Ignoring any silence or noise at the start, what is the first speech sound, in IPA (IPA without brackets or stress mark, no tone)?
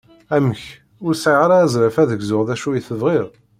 æ